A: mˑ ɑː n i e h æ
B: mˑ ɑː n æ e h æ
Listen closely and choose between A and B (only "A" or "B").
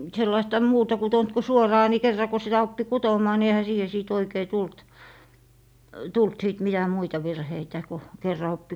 A